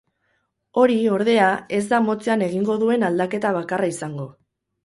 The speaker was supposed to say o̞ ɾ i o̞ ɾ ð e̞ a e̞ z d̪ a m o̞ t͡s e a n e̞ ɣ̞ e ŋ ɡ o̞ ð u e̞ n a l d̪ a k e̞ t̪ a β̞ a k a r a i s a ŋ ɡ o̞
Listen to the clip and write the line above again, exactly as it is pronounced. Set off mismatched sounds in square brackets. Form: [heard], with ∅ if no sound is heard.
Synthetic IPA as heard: o̞ ɾ i o̞ ɾ ð e̞ a e̞ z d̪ a m o̞ t͡s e a n e̞ ɣ̞ [i] ŋ ɡ o̞ ð u e̞ n a l d̪ a k e̞ t̪ a β̞ a k a r a i s a ŋ ɡ o̞